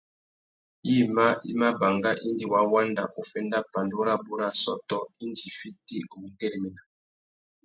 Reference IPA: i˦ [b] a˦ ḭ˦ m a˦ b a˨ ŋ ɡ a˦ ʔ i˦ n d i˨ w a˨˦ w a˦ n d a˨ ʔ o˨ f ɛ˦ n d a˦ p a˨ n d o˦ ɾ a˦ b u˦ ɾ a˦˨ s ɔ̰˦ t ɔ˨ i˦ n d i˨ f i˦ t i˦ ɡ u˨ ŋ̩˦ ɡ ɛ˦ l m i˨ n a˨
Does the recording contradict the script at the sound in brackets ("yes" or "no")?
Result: yes